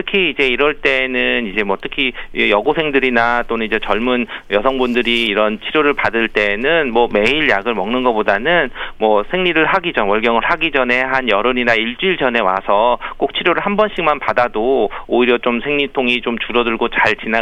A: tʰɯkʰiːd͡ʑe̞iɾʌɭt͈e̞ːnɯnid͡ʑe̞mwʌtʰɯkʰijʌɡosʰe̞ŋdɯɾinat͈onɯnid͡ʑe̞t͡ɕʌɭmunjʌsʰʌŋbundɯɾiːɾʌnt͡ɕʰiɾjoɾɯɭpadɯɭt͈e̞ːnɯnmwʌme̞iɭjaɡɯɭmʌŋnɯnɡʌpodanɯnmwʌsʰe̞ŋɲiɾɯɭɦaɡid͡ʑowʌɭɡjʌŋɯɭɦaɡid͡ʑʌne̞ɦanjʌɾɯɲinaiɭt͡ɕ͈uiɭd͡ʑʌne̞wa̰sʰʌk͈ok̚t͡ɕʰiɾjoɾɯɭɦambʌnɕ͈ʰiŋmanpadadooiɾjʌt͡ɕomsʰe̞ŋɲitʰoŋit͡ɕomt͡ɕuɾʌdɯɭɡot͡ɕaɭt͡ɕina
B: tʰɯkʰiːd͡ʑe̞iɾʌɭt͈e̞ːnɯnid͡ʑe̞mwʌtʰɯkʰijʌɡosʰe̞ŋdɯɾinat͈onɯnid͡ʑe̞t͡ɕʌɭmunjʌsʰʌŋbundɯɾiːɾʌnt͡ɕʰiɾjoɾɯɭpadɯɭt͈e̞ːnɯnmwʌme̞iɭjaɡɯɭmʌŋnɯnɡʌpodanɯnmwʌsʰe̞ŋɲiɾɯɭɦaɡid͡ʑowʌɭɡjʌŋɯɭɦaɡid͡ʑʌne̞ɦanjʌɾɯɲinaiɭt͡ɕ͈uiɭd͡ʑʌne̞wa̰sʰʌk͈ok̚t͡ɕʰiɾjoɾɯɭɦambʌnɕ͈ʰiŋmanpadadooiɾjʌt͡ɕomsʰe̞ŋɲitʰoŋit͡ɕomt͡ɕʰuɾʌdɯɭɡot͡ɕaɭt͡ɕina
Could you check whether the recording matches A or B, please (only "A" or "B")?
A